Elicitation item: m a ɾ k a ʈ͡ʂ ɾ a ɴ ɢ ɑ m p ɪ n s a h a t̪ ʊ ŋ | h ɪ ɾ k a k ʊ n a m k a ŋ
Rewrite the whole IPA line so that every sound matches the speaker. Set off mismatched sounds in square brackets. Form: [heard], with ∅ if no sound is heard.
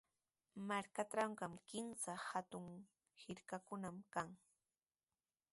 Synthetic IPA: m a ɾ k a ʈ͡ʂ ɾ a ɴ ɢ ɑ m [k] ɪ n s a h a t̪ ʊ ŋ | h ɪ ɾ k a k ʊ n a m k a ŋ